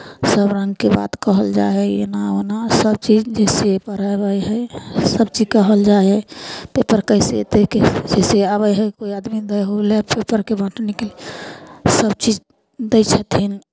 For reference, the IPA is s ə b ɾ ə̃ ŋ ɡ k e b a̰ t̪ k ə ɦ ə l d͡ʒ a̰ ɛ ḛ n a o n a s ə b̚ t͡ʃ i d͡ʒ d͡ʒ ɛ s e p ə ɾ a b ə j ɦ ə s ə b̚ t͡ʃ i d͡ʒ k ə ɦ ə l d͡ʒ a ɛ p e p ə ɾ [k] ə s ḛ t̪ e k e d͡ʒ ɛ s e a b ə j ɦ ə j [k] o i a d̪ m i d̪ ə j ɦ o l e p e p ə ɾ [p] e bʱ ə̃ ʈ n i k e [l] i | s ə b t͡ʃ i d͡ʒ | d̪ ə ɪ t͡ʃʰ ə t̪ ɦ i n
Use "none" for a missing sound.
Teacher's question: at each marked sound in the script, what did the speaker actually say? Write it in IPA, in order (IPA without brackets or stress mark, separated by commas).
k, k, k, l